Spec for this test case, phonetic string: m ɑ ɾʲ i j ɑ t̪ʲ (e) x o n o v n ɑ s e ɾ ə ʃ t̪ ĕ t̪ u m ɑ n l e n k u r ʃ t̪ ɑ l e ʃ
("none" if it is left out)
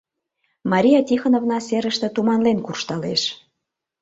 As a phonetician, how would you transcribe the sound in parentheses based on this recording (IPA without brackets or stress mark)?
i